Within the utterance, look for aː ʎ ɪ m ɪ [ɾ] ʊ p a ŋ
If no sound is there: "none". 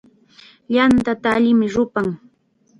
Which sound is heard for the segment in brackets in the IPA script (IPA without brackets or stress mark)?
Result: ɾ